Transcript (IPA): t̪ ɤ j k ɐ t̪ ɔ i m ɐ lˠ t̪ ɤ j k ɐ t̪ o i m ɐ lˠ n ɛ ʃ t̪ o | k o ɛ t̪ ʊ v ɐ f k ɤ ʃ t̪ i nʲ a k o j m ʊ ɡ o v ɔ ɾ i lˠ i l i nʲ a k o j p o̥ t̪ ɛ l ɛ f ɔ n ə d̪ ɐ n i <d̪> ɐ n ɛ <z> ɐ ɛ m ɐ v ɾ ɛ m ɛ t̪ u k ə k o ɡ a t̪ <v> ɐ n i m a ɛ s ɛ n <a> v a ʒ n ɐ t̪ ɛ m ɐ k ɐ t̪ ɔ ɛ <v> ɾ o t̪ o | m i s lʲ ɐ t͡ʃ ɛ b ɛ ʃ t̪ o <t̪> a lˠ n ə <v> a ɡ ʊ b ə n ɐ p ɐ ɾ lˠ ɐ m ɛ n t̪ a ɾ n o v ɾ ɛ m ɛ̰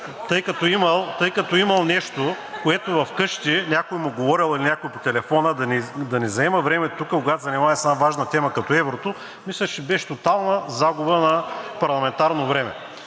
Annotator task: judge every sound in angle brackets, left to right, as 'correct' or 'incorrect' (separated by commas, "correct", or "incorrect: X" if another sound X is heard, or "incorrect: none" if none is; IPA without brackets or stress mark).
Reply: correct, correct, incorrect: z, correct, correct, correct, incorrect: z